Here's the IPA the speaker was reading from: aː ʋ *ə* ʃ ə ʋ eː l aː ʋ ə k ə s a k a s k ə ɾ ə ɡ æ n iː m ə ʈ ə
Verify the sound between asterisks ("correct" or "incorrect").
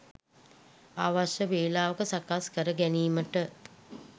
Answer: incorrect